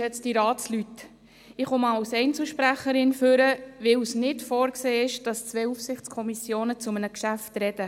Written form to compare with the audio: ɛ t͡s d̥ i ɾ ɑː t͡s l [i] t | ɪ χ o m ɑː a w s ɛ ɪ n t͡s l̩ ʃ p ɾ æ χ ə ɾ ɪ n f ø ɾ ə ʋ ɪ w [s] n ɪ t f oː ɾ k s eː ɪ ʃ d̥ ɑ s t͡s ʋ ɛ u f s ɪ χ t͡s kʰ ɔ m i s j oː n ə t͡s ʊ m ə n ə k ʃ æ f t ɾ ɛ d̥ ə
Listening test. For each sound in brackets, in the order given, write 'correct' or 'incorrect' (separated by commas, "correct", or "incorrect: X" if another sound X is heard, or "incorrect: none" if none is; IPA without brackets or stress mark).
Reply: incorrect: y, correct